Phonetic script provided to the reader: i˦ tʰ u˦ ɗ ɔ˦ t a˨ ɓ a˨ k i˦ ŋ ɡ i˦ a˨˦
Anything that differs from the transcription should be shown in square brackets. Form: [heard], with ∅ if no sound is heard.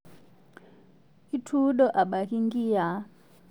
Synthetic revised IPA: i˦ tʰ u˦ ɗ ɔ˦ [ʔ] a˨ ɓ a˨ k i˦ ŋ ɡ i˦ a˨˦